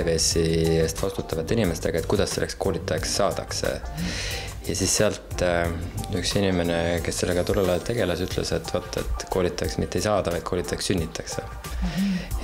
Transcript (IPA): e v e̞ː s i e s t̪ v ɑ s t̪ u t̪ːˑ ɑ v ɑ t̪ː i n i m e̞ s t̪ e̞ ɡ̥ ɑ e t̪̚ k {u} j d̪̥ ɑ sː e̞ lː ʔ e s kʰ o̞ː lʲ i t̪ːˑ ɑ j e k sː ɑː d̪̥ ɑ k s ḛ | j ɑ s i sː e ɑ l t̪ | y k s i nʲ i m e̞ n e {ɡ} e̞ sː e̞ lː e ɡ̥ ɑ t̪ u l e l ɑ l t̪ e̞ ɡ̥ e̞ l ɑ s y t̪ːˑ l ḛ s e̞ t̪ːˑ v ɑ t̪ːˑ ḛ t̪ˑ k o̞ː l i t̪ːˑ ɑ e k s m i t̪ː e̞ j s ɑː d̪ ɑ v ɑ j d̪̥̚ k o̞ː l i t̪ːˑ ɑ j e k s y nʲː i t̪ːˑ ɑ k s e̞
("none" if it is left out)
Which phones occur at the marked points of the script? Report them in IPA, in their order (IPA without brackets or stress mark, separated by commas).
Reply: u, k